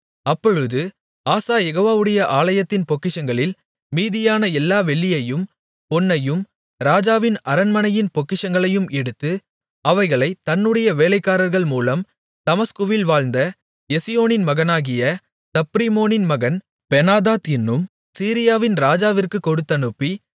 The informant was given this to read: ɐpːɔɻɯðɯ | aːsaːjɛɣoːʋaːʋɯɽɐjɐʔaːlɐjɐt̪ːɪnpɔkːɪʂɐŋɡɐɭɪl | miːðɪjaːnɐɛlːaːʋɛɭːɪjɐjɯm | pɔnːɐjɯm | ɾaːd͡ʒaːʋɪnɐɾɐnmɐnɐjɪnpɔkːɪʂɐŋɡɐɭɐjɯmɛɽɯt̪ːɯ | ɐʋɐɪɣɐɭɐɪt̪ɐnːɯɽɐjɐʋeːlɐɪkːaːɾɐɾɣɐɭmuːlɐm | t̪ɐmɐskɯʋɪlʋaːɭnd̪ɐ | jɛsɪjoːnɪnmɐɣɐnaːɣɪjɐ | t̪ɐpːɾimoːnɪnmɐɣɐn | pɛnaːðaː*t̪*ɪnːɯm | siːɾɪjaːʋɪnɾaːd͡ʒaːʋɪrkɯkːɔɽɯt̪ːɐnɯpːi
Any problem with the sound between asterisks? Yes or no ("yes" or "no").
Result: no